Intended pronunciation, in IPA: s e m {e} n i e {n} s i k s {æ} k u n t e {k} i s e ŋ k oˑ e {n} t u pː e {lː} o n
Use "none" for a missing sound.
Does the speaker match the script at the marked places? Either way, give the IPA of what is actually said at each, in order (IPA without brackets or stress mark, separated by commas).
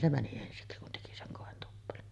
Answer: æ, n, i, k, n, l